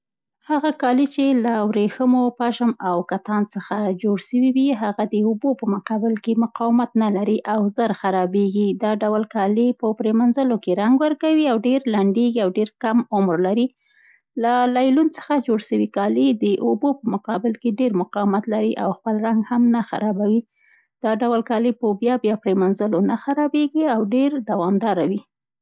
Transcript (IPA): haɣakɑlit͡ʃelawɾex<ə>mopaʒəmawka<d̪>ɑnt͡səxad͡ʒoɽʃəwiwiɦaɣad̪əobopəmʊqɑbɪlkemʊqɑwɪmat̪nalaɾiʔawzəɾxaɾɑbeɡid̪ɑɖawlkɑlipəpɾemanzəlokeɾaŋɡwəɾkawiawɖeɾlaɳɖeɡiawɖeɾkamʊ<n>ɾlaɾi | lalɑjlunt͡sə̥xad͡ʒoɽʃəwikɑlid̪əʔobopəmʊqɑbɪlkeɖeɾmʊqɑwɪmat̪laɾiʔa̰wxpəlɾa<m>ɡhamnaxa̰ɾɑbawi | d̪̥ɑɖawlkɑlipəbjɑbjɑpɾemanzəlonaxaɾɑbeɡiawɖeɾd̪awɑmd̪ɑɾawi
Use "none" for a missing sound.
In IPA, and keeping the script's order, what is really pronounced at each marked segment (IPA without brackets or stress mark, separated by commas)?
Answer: ə, t̪, m, ŋ